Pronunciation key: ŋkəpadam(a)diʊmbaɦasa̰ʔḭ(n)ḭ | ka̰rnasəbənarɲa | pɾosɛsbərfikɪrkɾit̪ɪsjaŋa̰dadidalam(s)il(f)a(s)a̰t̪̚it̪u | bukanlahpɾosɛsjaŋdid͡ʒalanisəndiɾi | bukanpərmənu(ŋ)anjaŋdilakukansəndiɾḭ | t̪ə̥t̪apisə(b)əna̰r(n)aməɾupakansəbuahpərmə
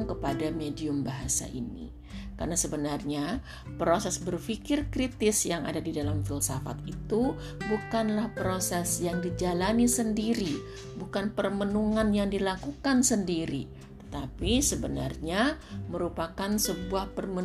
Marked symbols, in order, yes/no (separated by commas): no, yes, no, no, no, yes, yes, no